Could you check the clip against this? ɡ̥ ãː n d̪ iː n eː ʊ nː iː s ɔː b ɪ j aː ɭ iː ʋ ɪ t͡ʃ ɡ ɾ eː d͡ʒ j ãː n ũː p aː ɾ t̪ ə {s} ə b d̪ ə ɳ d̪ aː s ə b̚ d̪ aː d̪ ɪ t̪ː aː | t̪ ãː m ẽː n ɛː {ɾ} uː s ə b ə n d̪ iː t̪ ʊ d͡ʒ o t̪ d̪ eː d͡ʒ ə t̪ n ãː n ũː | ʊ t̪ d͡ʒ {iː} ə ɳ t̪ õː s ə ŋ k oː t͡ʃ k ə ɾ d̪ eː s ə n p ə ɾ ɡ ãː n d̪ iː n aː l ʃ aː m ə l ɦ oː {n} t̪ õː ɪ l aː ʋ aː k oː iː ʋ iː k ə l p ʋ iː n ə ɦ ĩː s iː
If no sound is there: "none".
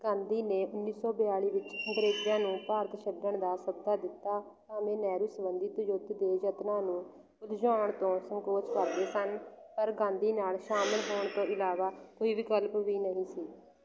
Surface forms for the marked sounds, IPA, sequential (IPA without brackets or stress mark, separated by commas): ʃ, ɾ, aː, ɳ